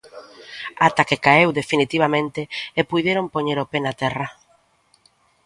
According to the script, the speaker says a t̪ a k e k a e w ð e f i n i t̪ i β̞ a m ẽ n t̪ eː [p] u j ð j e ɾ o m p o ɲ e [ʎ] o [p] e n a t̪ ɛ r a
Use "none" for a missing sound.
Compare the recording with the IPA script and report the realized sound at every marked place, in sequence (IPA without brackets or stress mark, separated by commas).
p, ɾ, p